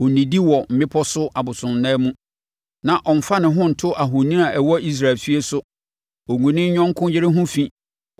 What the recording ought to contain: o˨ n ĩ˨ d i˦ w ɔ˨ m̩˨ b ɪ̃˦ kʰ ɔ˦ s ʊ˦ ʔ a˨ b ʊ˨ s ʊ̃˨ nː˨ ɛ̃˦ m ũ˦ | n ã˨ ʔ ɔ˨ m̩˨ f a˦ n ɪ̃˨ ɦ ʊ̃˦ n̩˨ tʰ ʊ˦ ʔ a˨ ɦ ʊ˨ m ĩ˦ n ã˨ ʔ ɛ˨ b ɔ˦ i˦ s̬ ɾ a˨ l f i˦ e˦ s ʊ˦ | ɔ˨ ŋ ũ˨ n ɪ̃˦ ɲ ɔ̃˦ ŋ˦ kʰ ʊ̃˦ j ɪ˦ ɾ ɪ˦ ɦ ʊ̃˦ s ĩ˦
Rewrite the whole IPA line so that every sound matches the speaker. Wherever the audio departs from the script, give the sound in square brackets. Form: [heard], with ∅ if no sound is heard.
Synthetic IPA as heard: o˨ n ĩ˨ d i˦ w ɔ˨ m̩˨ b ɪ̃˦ [pʰ] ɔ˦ s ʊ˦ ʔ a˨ b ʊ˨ s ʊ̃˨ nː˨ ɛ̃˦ m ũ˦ | n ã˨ ʔ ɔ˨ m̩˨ f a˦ n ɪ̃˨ ɦ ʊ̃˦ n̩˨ tʰ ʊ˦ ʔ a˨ ɦ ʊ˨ [n] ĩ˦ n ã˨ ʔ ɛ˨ [w] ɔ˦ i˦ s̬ ɾ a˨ l f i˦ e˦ s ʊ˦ | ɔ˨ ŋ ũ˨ n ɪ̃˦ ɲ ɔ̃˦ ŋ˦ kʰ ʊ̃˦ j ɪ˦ ɾ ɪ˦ ɦ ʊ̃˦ [f] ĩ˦